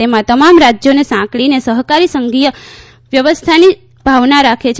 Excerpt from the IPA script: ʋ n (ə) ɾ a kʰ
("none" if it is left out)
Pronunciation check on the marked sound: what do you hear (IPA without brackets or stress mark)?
a